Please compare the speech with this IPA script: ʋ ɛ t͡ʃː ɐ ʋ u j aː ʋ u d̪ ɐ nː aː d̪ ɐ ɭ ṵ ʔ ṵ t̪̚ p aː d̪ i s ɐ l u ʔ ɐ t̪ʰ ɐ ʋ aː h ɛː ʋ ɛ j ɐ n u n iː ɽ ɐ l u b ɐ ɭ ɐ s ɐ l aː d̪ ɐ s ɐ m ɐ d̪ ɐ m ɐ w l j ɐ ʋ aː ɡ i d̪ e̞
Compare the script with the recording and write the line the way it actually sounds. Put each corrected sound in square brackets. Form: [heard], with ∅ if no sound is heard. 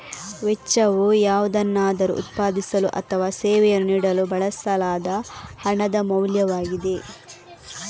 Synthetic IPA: ʋ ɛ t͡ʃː ɐ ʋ u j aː ʋ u d̪ ɐ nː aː d̪ ɐ [ɾ] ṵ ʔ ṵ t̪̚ p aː d̪ i s ɐ l u ʔ ɐ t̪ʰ ɐ ʋ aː [s] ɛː ʋ ɛ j ɐ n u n iː ɽ ɐ l u b ɐ ɭ ɐ s ɐ l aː d̪ ɐ [h] ɐ [ɳ] ɐ d̪ ɐ m ɐ w l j ɐ ʋ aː ɡ i d̪ e̞